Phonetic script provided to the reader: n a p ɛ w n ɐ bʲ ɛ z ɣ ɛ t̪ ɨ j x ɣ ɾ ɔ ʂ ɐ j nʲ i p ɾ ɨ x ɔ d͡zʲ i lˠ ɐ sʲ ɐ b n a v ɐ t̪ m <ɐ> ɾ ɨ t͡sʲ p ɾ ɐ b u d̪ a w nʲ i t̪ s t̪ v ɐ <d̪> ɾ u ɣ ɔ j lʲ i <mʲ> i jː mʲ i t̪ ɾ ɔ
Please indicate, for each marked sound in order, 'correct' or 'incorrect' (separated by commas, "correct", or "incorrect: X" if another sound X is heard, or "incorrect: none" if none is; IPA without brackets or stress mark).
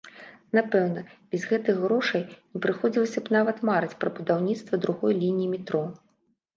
incorrect: a, correct, incorrect: nʲ